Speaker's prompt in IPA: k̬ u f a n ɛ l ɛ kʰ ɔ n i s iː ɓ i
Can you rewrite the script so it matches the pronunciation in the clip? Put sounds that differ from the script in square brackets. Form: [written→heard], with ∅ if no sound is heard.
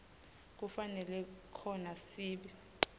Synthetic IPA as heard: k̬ u f a n ɛ l ɛ kʰ ɔ n [i→a] s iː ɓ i